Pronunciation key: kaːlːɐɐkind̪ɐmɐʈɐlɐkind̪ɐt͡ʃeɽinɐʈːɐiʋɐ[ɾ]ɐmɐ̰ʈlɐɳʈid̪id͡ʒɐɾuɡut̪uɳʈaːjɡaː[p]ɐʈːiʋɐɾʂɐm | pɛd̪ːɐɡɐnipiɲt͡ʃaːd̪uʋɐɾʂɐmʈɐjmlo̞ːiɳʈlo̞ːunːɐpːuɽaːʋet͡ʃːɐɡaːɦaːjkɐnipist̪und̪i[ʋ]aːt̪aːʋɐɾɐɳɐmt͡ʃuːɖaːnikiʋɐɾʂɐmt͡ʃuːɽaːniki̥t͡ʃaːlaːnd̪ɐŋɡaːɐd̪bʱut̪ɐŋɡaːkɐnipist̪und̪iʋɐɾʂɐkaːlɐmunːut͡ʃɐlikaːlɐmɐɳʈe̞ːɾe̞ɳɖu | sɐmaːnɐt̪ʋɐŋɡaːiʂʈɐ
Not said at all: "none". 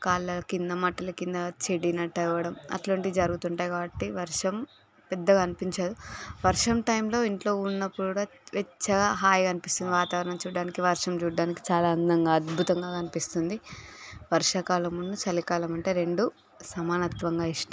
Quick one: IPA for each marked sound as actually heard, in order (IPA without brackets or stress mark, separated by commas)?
ɽ, b, ʋ